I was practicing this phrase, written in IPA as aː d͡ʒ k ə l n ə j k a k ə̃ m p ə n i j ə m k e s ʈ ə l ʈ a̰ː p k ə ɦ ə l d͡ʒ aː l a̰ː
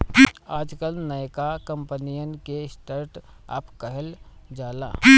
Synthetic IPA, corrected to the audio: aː d͡ʒ k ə l n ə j k a k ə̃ m p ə n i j ə n k e s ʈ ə ɾ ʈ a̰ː p k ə ɦ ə l d͡ʒ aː l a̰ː